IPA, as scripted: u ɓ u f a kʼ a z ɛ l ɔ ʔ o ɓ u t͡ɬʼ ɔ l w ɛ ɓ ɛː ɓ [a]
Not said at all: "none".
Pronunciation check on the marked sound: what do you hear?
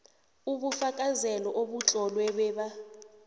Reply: a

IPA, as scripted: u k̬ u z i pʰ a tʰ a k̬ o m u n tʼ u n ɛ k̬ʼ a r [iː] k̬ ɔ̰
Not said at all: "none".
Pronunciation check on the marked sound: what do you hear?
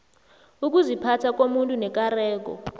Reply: ɛː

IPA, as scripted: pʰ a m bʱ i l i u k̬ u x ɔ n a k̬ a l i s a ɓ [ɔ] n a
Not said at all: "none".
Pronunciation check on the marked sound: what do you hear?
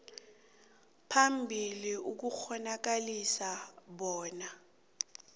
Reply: ɔː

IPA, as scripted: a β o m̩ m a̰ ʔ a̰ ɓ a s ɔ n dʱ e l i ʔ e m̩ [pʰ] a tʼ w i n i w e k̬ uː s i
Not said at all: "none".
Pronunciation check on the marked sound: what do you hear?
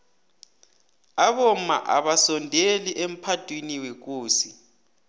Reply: pʰ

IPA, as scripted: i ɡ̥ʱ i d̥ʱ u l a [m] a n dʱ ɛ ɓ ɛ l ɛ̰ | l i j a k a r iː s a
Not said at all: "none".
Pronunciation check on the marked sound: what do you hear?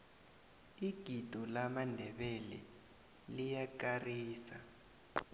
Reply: m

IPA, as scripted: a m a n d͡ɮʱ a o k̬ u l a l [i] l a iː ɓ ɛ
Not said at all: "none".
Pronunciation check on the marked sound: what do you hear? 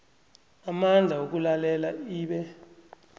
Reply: ɛ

